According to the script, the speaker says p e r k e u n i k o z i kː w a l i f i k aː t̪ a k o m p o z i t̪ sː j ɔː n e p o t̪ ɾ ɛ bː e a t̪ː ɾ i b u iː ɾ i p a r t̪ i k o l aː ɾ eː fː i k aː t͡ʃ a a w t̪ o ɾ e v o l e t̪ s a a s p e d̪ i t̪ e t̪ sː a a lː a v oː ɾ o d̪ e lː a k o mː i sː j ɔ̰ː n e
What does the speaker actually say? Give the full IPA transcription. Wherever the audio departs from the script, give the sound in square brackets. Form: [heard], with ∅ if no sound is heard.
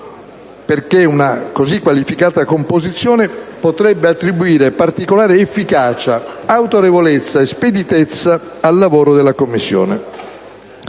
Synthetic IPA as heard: p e r k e u n [a] k o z i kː w a l i f i k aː t̪ a k o m p o z i t̪ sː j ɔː n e p o t̪ ɾ ɛ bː e a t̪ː ɾ i b u iː ɾ [e] p a r t̪ i k o l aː ɾ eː fː i k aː t͡ʃ a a w t̪ o ɾ e v o l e t̪ [sː] a [e] s p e d̪ i t̪ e t̪ sː a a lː a v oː ɾ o d̪ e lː a k o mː i sː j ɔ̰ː n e